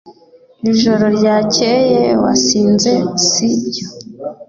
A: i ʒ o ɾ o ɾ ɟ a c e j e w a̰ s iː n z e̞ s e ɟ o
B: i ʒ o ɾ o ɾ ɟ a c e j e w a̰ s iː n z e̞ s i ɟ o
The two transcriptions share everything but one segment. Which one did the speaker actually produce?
B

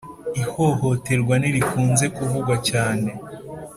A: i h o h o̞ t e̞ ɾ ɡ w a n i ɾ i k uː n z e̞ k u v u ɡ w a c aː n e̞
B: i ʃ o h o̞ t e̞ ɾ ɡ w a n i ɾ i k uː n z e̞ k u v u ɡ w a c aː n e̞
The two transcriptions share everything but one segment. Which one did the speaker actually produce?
A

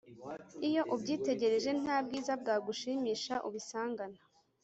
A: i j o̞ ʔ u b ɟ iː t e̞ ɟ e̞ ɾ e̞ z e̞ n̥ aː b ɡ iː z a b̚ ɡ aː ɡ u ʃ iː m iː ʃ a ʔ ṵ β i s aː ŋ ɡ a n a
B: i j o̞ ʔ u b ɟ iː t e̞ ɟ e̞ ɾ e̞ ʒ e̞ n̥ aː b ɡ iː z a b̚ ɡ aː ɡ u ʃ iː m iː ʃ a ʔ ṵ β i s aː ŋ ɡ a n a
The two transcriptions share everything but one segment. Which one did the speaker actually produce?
B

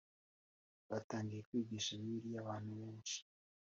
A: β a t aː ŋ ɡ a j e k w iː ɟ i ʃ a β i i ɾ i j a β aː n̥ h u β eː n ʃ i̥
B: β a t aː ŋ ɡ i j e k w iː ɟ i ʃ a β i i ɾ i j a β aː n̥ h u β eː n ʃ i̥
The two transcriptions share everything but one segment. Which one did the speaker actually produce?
B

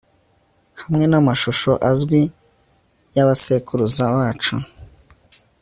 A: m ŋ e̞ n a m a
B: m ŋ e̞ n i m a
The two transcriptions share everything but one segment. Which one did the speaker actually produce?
A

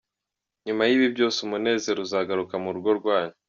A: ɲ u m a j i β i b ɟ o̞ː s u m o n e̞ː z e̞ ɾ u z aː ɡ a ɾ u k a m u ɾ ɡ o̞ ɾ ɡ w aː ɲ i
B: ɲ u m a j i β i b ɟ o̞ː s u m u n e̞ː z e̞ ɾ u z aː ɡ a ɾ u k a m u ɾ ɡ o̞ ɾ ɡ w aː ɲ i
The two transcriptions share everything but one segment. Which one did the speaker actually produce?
B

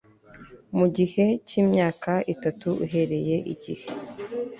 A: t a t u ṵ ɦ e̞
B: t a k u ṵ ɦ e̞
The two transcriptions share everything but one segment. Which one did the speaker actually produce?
A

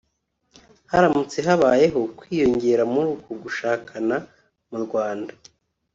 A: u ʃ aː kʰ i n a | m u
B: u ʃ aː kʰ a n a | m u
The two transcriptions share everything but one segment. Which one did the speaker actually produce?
B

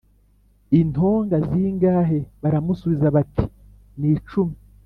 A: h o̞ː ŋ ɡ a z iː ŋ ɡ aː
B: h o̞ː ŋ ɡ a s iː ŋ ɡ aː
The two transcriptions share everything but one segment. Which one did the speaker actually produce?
A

